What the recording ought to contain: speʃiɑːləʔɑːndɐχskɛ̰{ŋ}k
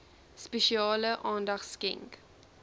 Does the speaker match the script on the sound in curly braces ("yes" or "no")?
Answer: yes